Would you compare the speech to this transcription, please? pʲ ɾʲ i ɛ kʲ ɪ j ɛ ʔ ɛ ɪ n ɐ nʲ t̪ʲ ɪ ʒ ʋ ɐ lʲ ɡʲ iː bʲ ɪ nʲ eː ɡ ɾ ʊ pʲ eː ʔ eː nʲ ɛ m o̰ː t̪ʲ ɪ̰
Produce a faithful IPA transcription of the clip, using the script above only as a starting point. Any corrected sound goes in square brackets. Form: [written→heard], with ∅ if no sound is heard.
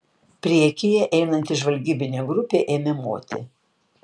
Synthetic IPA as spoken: pʲ ɾʲ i ɛ kʲ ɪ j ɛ ʔ ɛ ɪ n ɐ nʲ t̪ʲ ɪ ʒ ʋ ɐ lʲ ɡʲ iː bʲ ɪ nʲ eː ɡ ɾ ʊ pʲ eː ʔ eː [nʲ→mʲ] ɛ m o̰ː t̪ʲ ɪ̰